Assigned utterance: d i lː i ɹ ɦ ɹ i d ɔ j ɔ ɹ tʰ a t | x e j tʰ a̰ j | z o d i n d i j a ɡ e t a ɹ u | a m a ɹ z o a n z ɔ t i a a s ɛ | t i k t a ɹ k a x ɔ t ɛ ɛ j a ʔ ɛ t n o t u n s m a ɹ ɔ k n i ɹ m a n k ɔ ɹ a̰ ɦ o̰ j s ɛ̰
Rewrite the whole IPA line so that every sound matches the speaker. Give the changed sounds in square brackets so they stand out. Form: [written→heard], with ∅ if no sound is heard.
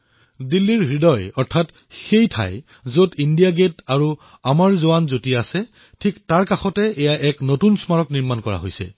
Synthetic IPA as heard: d i lː i ɹ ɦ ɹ i d ɔ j ɔ ɹ tʰ a t | x e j tʰ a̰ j | z o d i n d i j a ɡ e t a ɹ u | a m a ɹ z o a n z [ɔ→o] t i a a s ɛ | [t→tʰ] i k t a ɹ k a x ɔ t ɛ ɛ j a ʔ ɛ [t→k] n o t u n s m a ɹ ɔ k n i ɹ m a n k ɔ ɹ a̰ ɦ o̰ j s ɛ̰